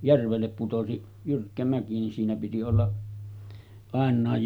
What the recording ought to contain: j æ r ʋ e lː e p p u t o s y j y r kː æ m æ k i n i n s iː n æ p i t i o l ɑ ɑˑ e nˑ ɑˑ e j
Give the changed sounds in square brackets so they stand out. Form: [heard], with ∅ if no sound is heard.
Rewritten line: j æ r ʋ e lː e p p u t o s [i] j y r kː æ m æ k i n i n s iː n æ p i t i o [lː] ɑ ɑˑ e nˑ ɑˑ e j